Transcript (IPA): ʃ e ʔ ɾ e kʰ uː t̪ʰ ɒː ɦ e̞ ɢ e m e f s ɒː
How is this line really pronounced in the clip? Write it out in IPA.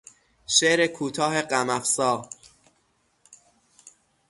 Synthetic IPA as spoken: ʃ e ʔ ɾ e kʰ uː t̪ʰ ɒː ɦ e̞ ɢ æ m æ f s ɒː